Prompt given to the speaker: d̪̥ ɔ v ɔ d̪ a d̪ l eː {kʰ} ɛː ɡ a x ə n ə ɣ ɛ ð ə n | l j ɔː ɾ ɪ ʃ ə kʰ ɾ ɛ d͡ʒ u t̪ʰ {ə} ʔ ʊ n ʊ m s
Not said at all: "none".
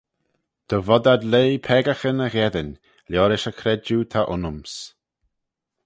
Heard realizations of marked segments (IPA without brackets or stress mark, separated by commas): pʰ, a